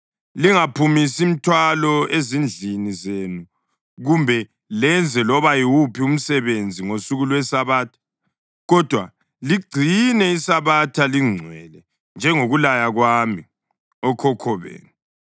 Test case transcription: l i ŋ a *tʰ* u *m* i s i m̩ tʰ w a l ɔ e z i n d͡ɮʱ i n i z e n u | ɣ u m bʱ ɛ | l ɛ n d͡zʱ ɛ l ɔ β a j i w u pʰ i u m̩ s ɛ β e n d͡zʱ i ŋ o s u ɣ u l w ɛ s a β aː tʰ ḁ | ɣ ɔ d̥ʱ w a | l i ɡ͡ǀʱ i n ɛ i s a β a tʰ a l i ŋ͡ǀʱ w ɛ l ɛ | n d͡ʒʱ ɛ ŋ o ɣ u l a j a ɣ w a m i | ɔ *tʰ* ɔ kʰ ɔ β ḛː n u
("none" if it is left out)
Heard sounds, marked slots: pʰ, m, kʰ

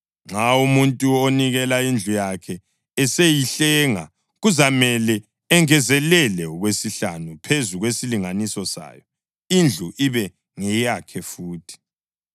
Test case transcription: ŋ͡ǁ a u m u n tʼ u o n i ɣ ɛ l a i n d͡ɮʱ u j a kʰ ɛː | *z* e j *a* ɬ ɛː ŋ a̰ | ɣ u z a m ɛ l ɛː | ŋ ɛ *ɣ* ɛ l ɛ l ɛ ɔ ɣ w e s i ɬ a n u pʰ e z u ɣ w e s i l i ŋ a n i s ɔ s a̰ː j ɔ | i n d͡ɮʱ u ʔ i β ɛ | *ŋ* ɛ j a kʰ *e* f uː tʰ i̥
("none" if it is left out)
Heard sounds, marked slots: s, i, z, ŋ, ɛ

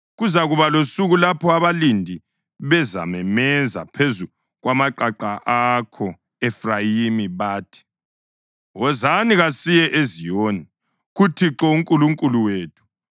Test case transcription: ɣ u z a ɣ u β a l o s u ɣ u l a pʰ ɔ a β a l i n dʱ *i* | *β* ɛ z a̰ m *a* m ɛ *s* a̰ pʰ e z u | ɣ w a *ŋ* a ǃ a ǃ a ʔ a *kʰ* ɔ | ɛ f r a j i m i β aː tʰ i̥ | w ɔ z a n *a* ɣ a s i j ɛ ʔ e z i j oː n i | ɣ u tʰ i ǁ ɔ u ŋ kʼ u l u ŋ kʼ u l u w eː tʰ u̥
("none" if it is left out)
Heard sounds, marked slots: i, β, ɛ, z, m, kʰ, i

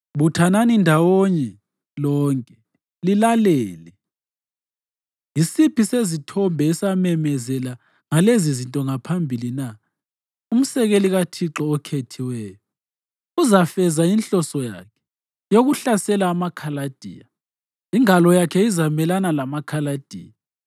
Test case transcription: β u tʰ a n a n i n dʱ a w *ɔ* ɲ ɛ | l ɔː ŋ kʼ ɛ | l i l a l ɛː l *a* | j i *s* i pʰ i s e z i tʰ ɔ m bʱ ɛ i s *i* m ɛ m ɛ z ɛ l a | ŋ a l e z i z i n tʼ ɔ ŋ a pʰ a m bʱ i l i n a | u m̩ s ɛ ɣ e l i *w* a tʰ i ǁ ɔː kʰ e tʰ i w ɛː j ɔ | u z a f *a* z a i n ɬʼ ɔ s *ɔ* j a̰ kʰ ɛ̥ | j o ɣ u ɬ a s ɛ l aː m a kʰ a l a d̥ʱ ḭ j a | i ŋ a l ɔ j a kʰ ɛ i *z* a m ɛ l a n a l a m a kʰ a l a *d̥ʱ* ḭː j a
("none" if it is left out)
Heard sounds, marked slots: o, ɛ, s, a, ɣ, ɛ, ɔ, z, d̥ʱ

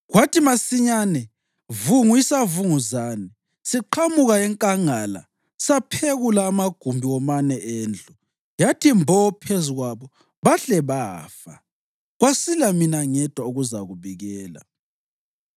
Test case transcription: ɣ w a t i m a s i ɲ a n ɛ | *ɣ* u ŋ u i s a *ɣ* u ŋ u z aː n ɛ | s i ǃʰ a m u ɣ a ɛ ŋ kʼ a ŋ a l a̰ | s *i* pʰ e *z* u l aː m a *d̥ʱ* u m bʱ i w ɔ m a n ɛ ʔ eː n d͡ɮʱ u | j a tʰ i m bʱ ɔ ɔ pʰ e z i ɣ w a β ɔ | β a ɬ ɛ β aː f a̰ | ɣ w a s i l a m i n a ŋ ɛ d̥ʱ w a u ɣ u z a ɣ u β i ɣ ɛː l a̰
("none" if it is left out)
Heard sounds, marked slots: v, v, a, ɣ, ɡ̥ʱ

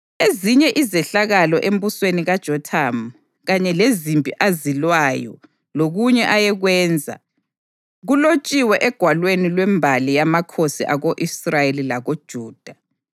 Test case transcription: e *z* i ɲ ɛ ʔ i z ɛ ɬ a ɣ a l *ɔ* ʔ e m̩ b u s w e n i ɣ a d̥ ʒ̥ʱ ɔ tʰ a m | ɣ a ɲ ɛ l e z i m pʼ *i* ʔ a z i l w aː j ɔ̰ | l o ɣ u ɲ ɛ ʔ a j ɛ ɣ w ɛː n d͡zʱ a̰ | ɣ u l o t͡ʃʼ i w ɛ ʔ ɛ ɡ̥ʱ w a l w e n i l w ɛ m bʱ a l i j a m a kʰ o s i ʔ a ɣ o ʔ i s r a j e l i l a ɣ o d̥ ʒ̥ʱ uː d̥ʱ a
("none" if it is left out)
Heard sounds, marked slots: z, ɔ, i

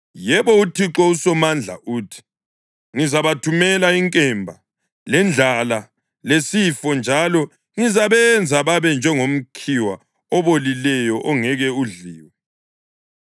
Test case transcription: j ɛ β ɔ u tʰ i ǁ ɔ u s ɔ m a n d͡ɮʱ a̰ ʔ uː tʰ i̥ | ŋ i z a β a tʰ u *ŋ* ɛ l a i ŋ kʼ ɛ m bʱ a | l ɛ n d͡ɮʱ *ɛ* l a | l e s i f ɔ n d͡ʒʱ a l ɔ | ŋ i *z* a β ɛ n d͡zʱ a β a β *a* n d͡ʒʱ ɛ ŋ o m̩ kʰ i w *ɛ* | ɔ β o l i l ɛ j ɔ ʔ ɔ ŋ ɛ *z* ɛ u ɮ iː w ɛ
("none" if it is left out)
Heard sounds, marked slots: m, a, z, ɛ, a, ɣ

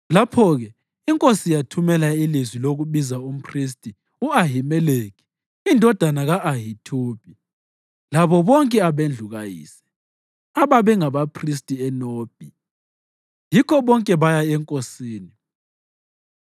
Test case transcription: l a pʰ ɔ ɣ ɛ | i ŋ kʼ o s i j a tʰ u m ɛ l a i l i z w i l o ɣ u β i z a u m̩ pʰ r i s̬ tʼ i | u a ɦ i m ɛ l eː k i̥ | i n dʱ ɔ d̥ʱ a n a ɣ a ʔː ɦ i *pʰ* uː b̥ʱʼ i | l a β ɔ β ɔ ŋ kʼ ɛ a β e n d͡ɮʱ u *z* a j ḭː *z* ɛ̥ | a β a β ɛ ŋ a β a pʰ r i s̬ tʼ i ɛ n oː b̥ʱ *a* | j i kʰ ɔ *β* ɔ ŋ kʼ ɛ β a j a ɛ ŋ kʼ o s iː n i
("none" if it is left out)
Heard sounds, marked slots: tʰ, ɣ, s, i, β

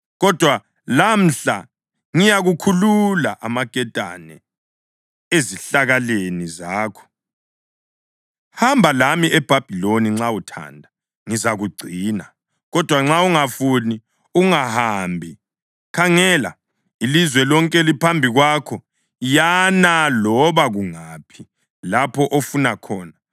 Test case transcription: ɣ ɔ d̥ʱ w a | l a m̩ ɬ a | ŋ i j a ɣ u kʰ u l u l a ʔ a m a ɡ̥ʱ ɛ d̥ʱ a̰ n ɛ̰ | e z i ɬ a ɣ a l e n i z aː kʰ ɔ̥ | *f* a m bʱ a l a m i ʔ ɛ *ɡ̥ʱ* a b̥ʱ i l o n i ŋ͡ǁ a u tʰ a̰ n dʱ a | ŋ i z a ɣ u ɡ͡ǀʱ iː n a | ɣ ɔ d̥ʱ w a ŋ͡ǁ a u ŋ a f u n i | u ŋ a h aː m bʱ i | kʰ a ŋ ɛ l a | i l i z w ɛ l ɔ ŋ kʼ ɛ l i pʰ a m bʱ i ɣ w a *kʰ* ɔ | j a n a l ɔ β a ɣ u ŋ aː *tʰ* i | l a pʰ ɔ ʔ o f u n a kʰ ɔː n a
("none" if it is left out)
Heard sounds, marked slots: h, b̥ʱ, kʰ, pʰ

